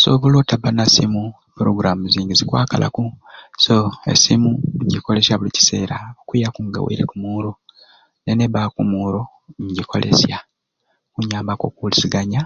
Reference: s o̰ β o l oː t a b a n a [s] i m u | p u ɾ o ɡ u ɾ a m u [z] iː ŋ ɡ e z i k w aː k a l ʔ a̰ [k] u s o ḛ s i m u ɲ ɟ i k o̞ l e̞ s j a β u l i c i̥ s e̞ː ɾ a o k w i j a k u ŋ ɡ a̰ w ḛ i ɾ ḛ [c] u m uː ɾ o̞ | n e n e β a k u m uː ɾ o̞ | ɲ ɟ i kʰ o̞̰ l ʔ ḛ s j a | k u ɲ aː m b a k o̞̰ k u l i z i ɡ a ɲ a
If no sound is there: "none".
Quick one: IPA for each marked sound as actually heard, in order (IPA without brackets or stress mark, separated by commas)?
s, z, k, k